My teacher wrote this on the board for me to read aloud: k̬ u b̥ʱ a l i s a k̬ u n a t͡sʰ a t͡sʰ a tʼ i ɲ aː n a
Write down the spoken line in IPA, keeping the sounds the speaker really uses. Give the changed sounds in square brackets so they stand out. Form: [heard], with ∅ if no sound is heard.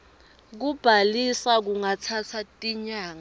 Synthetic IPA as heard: k̬ u b̥ʱ a l i s a k̬ u [ŋ] a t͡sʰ a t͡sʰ a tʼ i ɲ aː [ŋ] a